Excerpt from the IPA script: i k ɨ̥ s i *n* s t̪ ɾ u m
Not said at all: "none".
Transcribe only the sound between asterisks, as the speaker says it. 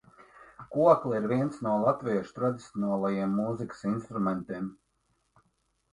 n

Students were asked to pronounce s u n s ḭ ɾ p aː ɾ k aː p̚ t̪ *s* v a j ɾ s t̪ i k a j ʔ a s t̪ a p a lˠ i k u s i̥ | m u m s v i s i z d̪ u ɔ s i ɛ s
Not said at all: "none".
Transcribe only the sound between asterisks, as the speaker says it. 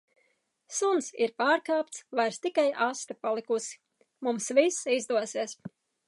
s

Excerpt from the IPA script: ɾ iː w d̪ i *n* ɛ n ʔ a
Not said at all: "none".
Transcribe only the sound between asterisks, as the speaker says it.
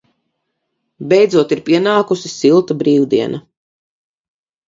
none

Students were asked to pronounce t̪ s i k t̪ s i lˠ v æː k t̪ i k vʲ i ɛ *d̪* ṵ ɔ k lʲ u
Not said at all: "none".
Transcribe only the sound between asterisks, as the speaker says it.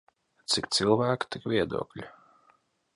d̪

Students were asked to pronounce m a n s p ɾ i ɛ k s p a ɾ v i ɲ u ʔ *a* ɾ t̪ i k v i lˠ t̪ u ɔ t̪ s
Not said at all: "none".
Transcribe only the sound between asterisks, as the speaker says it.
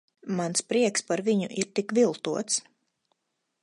i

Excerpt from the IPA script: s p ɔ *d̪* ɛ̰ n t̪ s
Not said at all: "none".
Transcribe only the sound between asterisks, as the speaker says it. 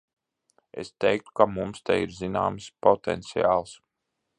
t̪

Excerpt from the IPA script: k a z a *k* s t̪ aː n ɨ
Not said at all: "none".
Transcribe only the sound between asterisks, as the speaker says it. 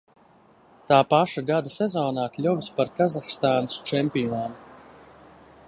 x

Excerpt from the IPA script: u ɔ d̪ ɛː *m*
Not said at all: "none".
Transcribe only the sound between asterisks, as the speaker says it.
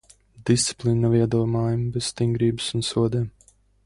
m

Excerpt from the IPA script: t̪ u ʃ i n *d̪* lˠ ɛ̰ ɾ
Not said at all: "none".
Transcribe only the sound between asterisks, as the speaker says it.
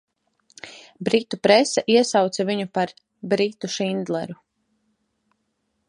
d̪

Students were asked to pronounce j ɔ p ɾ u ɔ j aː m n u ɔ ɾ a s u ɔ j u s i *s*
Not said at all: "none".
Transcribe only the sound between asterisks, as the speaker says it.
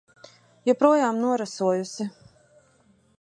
none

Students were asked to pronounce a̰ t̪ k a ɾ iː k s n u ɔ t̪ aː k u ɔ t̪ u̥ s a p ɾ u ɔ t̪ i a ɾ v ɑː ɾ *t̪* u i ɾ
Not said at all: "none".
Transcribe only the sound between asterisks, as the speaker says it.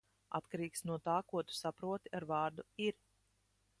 d̪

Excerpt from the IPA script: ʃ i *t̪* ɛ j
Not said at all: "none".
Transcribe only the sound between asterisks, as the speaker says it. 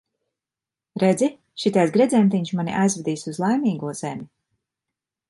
t̪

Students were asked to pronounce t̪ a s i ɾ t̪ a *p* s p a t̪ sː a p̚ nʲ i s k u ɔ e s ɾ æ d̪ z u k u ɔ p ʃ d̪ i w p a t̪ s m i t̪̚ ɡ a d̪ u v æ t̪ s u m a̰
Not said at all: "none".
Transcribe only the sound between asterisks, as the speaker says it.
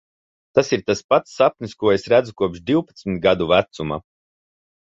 none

